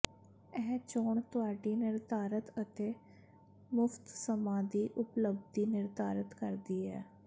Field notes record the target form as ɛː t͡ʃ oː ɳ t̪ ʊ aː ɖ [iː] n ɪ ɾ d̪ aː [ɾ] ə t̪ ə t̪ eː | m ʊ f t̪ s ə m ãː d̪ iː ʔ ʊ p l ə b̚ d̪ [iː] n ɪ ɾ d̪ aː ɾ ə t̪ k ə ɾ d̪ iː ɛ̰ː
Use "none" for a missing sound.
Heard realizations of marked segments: iː, ɾ, iː

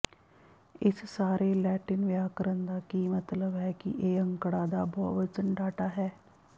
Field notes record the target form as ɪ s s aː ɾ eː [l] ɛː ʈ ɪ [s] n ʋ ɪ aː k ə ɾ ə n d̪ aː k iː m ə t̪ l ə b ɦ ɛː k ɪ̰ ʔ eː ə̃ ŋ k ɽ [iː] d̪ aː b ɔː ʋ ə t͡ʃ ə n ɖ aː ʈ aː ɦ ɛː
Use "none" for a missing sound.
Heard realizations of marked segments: l, none, aː

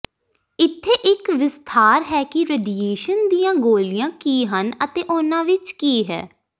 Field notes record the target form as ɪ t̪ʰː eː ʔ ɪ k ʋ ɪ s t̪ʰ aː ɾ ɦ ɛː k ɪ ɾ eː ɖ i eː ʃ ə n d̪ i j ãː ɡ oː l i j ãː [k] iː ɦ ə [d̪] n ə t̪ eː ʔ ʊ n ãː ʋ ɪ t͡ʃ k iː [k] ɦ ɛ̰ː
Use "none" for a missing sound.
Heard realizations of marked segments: k, none, none

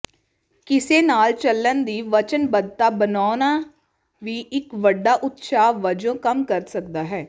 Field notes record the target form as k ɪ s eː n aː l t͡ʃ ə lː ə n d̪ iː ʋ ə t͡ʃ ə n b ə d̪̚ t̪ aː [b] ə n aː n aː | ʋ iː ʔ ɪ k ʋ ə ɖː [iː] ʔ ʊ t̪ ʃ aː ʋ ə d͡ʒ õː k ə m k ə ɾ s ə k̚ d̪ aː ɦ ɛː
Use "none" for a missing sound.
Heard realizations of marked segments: b, aː

